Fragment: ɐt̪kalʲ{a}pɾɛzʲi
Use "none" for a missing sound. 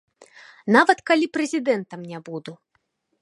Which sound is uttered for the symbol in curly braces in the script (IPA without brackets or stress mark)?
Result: i